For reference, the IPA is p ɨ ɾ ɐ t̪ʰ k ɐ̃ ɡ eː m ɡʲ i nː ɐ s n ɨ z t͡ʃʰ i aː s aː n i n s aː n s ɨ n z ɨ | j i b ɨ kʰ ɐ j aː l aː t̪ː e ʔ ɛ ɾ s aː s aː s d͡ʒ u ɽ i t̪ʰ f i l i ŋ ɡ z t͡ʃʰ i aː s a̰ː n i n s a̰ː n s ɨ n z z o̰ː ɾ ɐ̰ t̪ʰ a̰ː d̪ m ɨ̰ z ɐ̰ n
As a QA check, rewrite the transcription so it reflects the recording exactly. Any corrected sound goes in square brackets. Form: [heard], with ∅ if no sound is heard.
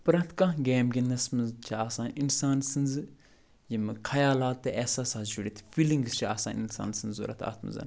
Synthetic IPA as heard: p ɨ ɾ ɐ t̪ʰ k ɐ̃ ɡ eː m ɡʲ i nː ɐ s [m] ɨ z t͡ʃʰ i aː s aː n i n s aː n s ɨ n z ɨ | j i [m] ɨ kʰ ɐ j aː l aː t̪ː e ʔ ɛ [∅] s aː s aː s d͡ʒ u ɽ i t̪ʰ f i l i ŋ ɡ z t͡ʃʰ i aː s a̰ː n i n s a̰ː n s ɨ n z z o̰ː ɾ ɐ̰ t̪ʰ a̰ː [t̪] m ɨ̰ z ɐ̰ n